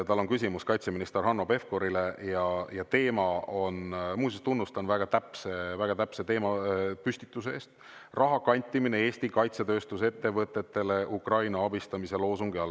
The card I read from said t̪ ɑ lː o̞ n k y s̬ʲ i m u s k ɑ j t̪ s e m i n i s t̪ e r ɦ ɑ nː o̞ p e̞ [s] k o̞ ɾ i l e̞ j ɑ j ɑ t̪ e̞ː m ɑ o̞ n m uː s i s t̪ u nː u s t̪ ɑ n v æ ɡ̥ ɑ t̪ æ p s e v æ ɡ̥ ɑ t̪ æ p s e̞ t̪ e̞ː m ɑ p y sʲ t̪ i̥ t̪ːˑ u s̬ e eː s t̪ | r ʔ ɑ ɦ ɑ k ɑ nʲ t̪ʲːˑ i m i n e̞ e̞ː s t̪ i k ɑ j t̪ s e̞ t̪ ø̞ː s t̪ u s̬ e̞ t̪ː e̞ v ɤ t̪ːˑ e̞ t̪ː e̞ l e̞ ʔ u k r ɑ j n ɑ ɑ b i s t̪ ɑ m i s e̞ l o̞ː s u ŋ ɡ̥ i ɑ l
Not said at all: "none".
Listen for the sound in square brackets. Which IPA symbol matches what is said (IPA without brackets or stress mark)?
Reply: f